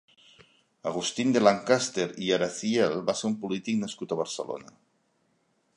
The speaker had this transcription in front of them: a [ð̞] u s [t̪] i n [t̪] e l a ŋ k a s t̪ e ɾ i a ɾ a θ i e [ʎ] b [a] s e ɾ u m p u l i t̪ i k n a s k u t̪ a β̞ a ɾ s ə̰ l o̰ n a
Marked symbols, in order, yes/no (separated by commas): no, yes, no, no, yes